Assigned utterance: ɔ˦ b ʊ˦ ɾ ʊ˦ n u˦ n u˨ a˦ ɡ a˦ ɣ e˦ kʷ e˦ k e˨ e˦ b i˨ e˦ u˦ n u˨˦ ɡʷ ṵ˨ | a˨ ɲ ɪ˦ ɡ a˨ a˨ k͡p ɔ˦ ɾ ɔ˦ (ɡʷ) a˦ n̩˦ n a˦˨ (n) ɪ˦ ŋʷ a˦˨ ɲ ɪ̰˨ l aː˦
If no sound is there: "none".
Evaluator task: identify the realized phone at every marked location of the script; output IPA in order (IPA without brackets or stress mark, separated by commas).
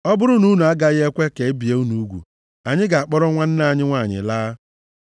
ŋʷ, ɲ